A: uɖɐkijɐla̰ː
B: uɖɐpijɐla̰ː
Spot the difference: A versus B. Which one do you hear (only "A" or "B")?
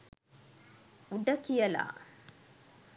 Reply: A